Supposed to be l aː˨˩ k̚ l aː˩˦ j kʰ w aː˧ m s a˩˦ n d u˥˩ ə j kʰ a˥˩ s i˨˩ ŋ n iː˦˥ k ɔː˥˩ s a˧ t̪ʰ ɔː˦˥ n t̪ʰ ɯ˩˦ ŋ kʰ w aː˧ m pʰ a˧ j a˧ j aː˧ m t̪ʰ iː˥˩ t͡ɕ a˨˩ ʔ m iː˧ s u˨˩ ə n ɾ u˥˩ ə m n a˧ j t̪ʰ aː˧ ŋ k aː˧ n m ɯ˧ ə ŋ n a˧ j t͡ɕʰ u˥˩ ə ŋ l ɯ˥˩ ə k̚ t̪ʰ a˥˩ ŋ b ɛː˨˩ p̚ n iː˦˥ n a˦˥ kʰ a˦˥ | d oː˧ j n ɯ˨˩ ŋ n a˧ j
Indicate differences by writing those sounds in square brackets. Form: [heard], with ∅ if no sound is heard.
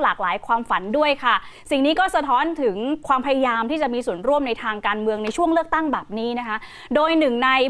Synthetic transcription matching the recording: l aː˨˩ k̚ l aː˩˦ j kʰ w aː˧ m [f] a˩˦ n d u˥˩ ə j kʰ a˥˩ s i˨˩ ŋ n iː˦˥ k ɔː˥˩ s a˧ t̪ʰ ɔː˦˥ n t̪ʰ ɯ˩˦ ŋ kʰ w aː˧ m pʰ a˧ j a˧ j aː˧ m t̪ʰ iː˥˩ t͡ɕ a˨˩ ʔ m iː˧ s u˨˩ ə n ɾ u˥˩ ə m n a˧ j t̪ʰ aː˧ ŋ k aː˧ n m ɯ˧ ə ŋ n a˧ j t͡ɕʰ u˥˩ ə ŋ l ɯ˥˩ ə k̚ [t̪] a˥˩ ŋ b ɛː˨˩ p̚ n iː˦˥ n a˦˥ kʰ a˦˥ | d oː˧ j n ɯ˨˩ ŋ n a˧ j